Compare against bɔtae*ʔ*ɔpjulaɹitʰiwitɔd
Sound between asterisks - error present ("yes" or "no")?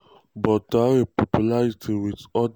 yes